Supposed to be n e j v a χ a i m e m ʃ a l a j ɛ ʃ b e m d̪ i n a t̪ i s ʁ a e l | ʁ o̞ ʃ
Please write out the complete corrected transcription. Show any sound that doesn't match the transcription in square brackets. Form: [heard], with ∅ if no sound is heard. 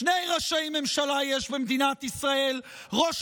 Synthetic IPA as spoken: n e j [ʁ] a [ʃ] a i m e m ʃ a l a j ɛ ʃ b e m d̪ i n a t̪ i s ʁ a e l | ʁ o̞ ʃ